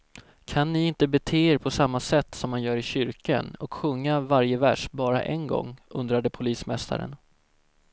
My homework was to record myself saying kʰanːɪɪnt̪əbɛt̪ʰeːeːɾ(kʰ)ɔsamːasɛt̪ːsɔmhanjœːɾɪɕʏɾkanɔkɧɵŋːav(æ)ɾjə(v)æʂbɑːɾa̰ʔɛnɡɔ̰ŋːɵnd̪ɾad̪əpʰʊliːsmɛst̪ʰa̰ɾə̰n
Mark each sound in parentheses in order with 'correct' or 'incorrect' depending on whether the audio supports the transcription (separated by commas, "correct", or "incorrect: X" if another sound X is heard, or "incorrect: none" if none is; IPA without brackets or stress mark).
incorrect: pʰ, incorrect: a, correct